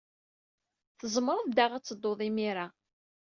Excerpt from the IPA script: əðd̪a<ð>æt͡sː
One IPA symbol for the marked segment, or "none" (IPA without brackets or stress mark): ʁ